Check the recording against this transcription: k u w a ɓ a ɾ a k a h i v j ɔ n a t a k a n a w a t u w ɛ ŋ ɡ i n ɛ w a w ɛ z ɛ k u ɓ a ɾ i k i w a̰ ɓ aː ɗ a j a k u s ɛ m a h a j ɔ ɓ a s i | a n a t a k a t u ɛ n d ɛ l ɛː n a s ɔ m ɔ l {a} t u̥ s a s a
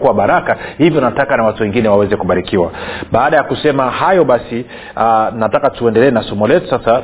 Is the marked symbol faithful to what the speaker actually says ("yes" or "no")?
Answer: no